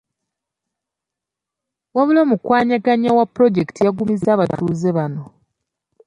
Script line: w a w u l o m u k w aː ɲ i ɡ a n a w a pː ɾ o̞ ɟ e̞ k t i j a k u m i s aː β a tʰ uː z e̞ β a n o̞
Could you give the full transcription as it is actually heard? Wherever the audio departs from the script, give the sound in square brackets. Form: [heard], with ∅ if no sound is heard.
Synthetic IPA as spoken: w a [β] u l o m u k w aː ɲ [a] ɡ a [ɲ] a w a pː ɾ o̞ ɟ e̞ k t i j a [ɡ] u m i [z] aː β a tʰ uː z e̞ β a n o̞